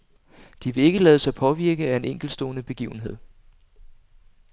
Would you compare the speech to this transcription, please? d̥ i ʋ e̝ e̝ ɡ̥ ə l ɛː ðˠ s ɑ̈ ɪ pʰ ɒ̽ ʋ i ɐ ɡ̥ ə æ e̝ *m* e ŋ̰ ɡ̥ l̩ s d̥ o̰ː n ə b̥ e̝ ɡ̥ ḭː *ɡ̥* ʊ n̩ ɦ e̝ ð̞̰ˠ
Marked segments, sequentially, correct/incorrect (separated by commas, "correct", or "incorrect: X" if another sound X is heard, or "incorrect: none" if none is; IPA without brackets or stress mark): incorrect: n, incorrect: none